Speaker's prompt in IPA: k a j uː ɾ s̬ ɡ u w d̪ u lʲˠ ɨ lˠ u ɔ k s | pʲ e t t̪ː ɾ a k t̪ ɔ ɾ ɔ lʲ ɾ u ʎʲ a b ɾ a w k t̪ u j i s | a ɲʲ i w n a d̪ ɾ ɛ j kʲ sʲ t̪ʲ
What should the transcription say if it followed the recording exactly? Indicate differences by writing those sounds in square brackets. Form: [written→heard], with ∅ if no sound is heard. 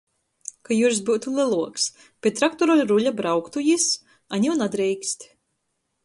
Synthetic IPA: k a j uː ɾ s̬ [ɡ→b] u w [d̪→t̪] u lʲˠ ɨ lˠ u ɔ k s | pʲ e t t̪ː ɾ a k t̪ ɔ ɾ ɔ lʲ ɾ u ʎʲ a b ɾ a w k t̪ u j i s | a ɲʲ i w n a d̪ ɾ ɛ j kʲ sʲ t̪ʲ